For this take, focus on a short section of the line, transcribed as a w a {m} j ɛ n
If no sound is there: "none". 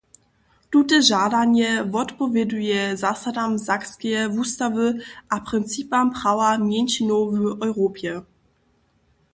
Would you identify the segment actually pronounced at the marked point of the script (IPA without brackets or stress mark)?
m